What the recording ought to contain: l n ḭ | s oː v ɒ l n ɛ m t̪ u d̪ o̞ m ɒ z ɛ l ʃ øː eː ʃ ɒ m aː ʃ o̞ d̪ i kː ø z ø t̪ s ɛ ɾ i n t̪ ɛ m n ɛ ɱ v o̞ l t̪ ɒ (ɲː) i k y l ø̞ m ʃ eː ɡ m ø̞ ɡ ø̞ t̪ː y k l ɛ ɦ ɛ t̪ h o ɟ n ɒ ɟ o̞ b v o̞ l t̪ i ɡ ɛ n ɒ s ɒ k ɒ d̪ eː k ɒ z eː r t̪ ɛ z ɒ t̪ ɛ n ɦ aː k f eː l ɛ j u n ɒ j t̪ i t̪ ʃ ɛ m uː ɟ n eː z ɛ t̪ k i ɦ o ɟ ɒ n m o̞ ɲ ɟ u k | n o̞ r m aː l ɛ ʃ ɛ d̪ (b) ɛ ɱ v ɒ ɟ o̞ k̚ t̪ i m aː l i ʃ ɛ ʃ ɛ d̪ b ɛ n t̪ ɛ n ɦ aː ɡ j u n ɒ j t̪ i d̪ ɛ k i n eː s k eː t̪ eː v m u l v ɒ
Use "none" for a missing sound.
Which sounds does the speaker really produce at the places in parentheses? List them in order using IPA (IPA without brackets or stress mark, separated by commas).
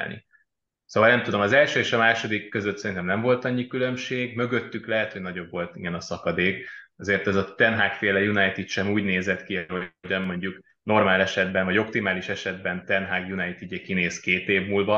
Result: ɲː, b